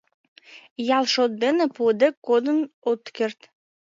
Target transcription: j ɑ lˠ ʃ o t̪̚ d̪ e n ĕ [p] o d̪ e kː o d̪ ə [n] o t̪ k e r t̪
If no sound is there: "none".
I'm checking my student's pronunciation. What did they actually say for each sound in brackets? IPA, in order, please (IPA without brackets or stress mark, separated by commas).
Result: p, n